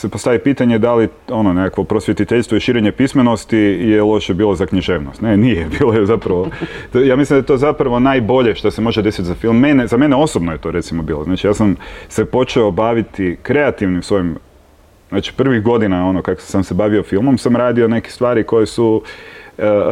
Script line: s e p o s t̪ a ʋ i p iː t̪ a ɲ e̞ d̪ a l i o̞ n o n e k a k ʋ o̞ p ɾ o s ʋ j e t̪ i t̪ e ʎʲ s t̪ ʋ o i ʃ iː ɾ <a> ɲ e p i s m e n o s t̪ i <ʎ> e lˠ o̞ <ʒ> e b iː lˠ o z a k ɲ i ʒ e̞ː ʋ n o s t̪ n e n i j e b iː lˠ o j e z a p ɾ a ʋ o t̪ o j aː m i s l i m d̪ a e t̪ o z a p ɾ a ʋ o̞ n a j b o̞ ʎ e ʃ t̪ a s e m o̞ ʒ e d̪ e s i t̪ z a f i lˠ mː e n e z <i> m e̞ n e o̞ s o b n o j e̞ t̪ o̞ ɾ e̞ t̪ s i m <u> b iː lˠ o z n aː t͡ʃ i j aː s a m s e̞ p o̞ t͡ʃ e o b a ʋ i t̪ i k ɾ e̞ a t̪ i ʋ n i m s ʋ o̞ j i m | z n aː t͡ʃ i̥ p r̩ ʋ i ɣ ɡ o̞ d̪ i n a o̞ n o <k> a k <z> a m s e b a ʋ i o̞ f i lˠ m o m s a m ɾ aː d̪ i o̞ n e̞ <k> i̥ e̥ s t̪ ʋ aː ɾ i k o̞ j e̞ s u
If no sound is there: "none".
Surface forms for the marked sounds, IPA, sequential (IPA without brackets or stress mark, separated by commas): e, j, ʃ, a, o, k, s, k